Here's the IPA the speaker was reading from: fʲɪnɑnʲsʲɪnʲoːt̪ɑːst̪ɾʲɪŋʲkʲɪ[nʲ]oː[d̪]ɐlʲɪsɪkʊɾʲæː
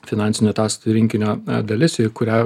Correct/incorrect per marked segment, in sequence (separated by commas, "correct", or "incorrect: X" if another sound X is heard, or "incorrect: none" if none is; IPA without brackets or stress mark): correct, correct